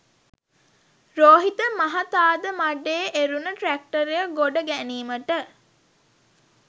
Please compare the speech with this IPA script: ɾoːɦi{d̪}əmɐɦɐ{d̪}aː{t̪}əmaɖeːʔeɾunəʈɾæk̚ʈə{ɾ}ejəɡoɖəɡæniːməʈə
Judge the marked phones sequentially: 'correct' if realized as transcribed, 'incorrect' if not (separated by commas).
incorrect, incorrect, incorrect, correct